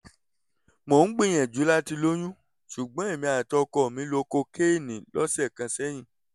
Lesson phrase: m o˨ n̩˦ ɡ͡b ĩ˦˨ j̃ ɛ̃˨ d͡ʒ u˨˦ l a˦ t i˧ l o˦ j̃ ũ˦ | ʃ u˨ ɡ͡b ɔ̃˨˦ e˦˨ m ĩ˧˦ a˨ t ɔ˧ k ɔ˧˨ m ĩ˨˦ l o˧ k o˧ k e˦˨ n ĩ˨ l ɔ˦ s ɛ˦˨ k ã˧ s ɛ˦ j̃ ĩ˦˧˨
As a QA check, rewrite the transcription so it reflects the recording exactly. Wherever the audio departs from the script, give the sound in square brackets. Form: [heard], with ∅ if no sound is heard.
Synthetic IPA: m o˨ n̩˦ ɡ͡b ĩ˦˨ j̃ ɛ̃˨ d͡ʒ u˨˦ l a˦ t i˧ l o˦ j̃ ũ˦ | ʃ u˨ ɡ͡b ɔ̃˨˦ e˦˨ m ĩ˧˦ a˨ t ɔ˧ k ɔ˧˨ m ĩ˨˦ l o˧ k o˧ k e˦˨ n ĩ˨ l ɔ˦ s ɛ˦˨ k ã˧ s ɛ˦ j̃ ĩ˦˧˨